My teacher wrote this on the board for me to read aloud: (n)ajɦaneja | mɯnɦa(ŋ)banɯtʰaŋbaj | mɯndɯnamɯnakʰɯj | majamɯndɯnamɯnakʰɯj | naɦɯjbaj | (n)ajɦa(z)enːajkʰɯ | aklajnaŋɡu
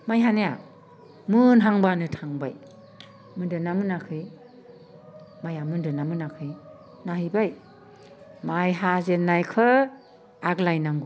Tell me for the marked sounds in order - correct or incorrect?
incorrect, correct, incorrect, correct

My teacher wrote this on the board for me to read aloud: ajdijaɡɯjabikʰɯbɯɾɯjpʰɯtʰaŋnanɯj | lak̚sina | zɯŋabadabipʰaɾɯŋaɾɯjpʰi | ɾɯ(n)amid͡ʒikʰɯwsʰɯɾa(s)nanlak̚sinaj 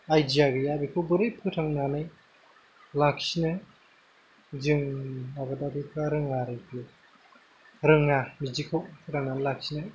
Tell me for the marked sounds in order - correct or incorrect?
incorrect, incorrect

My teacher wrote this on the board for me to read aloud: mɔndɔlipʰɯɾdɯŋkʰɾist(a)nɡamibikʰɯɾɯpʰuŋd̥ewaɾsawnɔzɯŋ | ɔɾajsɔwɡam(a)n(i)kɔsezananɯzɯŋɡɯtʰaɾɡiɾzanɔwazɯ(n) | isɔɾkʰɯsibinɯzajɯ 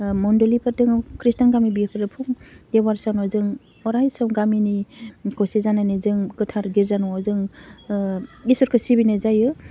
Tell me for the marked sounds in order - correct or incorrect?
correct, incorrect, correct, incorrect

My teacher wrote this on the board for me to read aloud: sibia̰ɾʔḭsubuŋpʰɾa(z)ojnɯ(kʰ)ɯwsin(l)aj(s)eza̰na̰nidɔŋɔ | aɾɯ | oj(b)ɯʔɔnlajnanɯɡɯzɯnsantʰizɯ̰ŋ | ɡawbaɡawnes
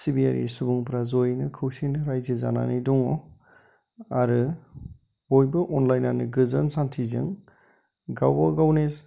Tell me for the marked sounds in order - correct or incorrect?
correct, correct, incorrect, incorrect, correct

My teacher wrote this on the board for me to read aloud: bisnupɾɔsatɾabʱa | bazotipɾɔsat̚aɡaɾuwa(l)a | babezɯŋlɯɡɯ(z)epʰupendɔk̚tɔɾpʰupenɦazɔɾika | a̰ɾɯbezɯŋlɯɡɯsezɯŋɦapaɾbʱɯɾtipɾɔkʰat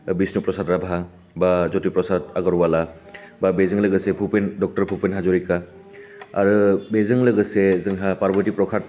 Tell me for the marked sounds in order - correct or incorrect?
correct, incorrect

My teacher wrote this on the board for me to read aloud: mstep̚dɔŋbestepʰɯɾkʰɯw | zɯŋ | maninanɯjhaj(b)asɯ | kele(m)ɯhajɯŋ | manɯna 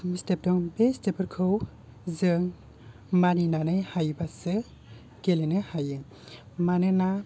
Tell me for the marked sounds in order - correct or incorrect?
correct, incorrect

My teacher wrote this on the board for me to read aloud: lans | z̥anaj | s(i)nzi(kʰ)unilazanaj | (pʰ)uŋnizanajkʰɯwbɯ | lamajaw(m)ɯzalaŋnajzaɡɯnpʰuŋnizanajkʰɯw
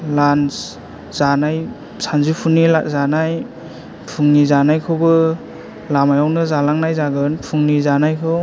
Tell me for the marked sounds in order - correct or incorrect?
incorrect, incorrect, correct, incorrect

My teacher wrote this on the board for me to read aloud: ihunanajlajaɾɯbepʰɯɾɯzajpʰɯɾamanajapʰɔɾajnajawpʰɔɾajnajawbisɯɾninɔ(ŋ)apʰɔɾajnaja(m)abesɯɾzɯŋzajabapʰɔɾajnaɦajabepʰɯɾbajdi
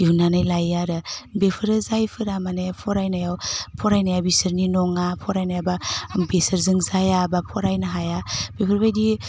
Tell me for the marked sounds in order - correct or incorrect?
correct, incorrect

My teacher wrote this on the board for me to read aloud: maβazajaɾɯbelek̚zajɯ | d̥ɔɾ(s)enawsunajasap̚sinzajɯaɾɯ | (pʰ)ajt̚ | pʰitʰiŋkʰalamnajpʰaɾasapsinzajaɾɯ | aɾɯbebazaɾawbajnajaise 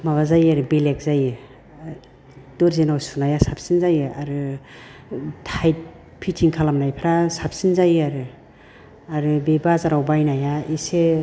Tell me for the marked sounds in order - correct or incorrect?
incorrect, incorrect

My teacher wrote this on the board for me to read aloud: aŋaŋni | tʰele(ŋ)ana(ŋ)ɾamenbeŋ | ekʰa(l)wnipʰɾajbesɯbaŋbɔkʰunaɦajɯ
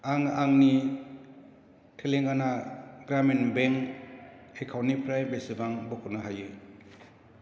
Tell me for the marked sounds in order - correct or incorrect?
correct, incorrect, incorrect

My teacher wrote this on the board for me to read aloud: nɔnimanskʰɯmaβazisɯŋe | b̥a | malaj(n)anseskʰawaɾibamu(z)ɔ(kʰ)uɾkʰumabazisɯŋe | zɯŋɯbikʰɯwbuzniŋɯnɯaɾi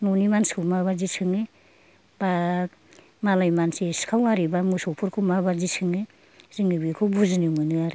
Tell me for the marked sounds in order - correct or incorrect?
incorrect, incorrect, incorrect

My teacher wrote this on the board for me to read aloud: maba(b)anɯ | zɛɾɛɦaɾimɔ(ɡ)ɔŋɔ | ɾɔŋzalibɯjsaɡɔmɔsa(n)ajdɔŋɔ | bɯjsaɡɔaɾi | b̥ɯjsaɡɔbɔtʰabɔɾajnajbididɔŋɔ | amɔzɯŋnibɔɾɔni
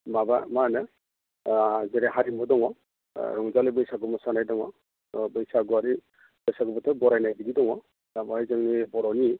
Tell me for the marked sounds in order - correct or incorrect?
incorrect, incorrect, correct

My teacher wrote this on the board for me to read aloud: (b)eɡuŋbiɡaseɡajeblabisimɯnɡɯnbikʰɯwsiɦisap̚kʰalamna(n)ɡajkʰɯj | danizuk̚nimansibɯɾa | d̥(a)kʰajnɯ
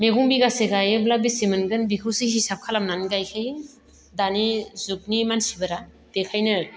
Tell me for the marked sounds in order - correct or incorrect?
incorrect, correct, incorrect

